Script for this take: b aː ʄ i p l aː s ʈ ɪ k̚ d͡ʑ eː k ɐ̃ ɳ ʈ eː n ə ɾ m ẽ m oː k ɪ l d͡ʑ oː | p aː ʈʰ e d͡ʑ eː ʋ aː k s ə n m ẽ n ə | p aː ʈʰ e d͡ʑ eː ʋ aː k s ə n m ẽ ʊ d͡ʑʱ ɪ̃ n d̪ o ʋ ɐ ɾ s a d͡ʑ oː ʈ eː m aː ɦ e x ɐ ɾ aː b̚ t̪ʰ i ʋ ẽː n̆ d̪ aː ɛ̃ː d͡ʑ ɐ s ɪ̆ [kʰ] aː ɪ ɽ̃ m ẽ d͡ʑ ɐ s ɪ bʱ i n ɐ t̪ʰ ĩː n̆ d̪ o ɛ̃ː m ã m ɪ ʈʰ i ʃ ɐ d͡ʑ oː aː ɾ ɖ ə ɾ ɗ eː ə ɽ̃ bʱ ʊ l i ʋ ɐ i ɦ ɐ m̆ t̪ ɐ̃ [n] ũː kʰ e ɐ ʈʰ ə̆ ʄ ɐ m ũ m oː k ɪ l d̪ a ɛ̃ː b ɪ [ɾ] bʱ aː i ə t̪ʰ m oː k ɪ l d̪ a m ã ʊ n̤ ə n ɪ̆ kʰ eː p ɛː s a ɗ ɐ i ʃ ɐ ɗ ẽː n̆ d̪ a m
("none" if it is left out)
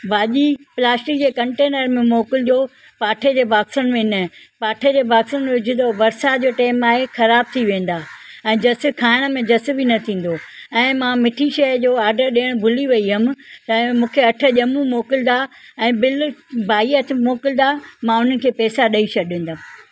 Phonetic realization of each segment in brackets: kʰ, m, l

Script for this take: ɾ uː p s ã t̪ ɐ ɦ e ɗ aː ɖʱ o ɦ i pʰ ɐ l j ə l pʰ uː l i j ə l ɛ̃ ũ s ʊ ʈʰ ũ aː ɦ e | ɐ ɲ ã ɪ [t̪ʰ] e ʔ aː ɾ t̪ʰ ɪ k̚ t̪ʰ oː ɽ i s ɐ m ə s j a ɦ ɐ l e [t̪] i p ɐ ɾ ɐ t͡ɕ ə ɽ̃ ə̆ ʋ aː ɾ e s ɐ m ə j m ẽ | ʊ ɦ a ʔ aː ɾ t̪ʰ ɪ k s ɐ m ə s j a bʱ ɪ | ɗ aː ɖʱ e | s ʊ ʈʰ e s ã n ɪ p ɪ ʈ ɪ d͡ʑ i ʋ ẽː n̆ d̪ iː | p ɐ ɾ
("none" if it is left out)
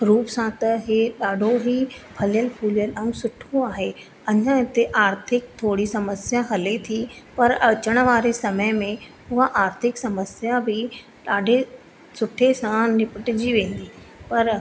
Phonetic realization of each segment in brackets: t̪, t̪ʰ

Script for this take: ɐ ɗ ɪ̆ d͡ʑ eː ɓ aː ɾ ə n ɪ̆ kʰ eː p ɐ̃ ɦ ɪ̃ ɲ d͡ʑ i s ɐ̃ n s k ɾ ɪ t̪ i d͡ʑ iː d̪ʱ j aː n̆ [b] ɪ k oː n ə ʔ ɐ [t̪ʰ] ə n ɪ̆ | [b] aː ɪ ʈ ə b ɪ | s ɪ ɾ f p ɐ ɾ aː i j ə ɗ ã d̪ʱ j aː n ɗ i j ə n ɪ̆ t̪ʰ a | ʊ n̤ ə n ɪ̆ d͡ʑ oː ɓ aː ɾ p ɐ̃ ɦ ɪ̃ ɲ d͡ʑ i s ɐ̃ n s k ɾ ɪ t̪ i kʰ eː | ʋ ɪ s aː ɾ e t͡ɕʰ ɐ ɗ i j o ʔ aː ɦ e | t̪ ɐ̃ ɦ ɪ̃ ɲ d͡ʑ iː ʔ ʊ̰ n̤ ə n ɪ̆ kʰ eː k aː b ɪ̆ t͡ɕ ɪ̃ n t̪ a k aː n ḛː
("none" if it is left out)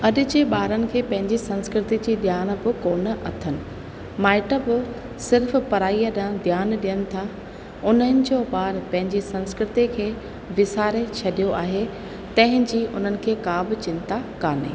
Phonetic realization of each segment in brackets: b, t̪ʰ, m

